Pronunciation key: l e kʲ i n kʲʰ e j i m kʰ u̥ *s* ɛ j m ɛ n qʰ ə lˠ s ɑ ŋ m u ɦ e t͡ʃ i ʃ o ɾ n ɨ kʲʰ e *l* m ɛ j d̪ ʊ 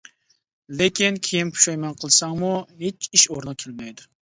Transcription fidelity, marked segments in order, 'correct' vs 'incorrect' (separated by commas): incorrect, correct